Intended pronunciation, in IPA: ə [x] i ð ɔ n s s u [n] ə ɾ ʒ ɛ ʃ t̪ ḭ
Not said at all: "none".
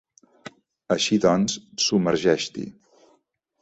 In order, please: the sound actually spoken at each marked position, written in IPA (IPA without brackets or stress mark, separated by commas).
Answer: ʃ, m